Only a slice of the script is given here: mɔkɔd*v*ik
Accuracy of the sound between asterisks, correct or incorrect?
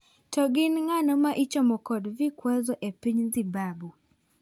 correct